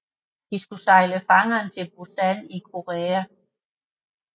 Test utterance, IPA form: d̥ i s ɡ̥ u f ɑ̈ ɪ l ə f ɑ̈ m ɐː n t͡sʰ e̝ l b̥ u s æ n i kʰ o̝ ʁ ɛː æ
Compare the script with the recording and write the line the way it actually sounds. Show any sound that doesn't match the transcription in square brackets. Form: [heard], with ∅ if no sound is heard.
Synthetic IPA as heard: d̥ i s ɡ̥ u [s] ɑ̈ ɪ l ə f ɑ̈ [ŋ] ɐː n t͡sʰ e̝ l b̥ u s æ n i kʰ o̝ ʁ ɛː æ